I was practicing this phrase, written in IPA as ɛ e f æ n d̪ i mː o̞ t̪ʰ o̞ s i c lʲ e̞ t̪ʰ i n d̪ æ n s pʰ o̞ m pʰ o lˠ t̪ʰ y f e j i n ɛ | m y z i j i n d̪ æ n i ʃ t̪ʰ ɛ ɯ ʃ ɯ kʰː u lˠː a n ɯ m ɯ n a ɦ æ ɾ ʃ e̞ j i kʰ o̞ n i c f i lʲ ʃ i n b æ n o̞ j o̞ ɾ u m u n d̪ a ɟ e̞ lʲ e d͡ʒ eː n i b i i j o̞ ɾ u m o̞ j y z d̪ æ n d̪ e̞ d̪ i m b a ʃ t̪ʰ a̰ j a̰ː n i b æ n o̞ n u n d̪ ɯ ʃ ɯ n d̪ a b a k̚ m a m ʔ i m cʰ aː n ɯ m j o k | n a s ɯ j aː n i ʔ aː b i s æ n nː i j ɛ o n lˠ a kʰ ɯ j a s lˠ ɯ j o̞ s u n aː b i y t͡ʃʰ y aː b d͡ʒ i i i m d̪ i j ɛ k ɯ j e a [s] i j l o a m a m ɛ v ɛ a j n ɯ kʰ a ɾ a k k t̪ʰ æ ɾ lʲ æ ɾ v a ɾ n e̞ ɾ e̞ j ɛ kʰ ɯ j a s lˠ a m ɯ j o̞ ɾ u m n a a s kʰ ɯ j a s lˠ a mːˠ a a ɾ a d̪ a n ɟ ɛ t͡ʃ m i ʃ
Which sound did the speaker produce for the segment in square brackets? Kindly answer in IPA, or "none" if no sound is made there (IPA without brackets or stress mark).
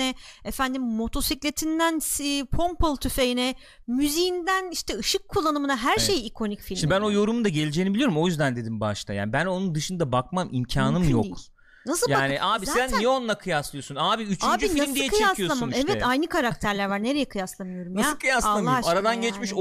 s